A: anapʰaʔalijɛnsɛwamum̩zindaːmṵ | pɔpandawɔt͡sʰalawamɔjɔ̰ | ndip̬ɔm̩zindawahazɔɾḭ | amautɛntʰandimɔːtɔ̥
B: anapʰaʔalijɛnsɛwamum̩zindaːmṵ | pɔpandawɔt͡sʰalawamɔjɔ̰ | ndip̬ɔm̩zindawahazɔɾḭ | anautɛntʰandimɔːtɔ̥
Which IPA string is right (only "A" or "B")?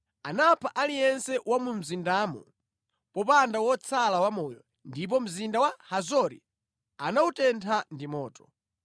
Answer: B